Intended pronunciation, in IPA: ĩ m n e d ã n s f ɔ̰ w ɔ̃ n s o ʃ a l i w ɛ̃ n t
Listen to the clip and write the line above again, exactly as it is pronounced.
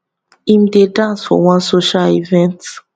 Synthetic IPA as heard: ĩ m d e d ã n s f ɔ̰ w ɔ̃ n s o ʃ a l i v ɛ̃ n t